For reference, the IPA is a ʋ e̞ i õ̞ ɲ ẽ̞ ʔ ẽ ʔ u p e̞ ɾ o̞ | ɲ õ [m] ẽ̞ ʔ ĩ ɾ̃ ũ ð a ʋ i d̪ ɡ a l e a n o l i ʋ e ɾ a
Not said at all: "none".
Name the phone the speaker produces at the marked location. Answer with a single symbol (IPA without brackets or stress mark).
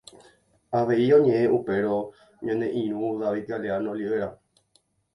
n